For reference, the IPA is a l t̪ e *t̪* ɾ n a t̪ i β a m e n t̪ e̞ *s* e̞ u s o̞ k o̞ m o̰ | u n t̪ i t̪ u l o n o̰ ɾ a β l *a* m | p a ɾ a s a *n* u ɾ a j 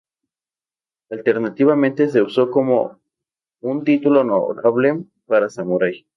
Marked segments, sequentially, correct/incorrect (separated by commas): incorrect, correct, incorrect, incorrect